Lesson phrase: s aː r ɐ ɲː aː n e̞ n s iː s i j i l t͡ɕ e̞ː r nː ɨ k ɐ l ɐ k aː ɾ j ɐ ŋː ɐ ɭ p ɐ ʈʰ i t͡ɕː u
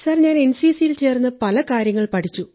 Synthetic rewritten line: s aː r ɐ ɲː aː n e̞ n s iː s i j i l t͡ɕ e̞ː r nː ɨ p ɐ l ɐ k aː ɾ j ɐ ŋː ɐ ɭ p ɐ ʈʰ i t͡ɕː u